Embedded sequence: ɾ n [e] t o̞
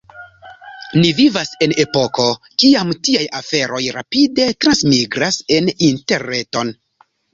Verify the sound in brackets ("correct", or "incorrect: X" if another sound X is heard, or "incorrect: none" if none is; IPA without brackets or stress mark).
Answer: correct